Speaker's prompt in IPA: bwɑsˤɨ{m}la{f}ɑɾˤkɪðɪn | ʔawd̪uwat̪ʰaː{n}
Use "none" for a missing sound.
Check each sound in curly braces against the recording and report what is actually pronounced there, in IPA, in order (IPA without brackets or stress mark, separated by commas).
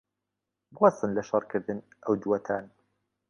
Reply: n, ʃ, n